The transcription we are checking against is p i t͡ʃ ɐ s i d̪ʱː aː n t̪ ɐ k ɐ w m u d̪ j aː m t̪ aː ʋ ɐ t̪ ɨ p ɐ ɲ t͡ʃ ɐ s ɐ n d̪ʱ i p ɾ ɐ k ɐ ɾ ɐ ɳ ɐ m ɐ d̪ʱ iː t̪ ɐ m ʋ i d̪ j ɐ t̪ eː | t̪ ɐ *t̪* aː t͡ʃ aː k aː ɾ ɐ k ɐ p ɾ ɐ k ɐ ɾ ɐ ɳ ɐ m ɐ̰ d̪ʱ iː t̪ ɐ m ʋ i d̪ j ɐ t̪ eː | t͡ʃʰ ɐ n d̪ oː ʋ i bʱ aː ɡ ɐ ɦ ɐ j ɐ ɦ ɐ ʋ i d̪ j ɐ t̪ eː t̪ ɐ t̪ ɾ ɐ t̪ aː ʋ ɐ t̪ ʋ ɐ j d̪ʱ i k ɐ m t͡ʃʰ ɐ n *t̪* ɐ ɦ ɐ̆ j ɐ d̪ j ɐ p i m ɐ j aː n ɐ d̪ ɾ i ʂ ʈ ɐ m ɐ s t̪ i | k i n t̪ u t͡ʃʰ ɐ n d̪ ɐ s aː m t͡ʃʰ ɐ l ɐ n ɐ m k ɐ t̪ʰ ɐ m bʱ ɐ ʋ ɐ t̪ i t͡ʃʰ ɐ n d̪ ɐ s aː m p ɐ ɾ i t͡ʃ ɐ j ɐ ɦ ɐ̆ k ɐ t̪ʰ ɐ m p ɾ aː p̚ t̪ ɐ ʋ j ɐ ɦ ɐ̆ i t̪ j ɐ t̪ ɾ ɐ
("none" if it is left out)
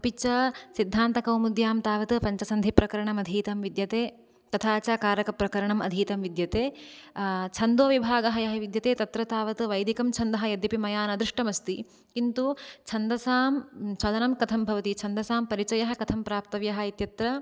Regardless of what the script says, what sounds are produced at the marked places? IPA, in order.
t̪ʰ, d̪

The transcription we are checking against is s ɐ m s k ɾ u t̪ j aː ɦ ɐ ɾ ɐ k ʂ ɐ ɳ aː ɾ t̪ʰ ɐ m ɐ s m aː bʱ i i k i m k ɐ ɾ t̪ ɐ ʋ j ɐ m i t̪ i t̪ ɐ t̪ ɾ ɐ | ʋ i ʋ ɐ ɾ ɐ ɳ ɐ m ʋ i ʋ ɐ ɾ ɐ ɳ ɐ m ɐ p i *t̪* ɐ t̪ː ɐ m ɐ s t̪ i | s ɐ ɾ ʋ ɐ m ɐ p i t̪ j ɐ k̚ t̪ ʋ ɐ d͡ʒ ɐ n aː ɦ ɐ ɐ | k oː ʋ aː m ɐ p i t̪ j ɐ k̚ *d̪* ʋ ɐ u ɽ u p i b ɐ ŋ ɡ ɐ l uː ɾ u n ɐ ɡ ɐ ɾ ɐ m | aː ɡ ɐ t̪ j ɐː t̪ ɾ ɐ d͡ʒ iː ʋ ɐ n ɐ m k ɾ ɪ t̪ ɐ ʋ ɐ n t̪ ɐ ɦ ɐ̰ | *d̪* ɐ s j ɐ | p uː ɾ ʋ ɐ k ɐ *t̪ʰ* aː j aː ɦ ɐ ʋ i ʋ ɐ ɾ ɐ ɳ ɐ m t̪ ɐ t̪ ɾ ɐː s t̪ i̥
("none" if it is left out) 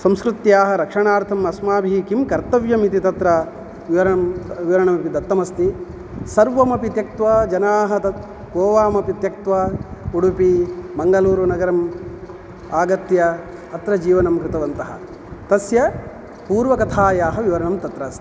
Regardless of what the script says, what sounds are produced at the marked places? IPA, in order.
d̪, t̪, t̪, t̪ʰ

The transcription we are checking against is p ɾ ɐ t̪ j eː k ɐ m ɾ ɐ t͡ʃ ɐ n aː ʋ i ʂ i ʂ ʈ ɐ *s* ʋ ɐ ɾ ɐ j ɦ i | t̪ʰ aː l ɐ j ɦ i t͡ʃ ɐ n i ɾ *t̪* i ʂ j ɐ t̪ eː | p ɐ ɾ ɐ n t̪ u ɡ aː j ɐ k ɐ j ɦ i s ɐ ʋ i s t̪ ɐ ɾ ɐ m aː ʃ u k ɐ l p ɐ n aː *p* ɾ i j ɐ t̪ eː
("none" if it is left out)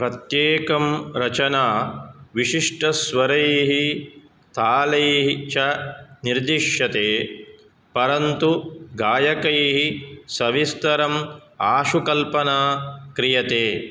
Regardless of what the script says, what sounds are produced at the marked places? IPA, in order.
s, d̪, k

